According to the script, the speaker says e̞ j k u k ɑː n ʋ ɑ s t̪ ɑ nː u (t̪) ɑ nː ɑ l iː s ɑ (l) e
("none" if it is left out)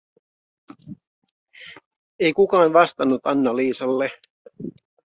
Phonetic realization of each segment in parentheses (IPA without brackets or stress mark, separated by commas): t̪, lː